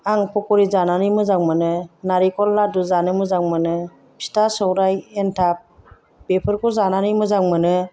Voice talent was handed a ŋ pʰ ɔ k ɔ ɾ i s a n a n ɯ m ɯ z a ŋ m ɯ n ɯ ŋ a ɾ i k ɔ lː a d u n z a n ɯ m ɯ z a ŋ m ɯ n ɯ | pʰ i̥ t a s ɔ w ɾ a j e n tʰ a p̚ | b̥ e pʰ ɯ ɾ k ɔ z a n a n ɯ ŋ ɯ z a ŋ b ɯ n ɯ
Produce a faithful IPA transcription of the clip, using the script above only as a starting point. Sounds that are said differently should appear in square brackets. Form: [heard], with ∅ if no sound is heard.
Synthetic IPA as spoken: a ŋ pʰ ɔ k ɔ ɾ i [z] a n a n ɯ m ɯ z a ŋ m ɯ n ɯ [n] a ɾ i k ɔ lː a d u [∅] z a n ɯ m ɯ z a ŋ m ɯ n ɯ | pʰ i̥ t a s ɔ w ɾ a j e n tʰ a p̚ | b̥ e pʰ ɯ ɾ k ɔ z a n a n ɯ [m] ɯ z a ŋ [m] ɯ n ɯ